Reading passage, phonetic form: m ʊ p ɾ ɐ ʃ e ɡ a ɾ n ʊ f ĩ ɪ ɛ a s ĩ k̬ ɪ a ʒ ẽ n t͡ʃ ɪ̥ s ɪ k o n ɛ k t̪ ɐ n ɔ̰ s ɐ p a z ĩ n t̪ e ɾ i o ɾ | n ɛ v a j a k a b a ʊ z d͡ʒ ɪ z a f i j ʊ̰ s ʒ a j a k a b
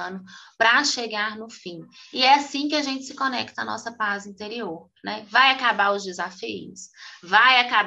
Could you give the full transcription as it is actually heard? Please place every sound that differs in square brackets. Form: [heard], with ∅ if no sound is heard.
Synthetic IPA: [n] ʊ p ɾ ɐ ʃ e ɡ a ɾ n ʊ f ĩ ɪ ɛ a s ĩ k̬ ɪ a ʒ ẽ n t͡ʃ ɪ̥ s ɪ k o n ɛ k t̪ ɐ n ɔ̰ s ɐ p a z ĩ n t̪ e ɾ i o ɾ | n ɛ v a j a k a b a ʊ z d͡ʒ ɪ z a f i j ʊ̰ s [v] a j a k a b